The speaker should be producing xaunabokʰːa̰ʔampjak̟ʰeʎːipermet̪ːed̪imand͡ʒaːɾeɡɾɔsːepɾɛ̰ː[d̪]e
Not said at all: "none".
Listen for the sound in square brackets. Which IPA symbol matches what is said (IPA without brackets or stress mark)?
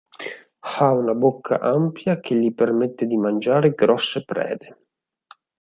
d̪